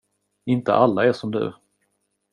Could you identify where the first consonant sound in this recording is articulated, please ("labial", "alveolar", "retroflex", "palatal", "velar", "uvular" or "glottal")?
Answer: alveolar